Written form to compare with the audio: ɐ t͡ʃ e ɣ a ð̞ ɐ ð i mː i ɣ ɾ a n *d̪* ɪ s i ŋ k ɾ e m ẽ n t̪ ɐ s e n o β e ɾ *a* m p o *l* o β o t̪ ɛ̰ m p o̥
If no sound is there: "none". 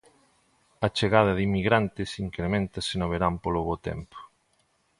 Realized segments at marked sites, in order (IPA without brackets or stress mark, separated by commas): t̪, a, l